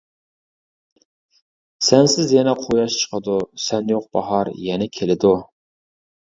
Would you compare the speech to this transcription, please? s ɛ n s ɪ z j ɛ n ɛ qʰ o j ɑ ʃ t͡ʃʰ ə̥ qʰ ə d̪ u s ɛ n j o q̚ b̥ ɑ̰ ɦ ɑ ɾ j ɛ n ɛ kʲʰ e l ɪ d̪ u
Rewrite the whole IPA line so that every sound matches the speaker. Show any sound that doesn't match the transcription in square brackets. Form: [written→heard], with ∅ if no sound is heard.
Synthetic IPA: s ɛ n s ɪ z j ɛ n ɛ qʰ o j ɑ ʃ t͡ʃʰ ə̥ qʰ ə d̪ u s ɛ n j o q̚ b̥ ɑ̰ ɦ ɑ ɾ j ɛ n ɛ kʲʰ e l ɪ d̪ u